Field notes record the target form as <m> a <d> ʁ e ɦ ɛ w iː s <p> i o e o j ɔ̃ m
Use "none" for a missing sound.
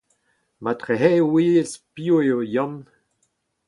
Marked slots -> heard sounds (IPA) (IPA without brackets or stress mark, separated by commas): m, t, p